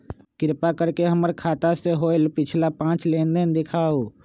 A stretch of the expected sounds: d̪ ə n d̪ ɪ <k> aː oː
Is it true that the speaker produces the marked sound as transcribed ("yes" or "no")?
no